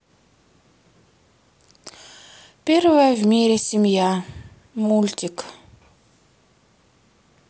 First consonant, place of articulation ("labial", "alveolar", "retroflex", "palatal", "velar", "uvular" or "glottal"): labial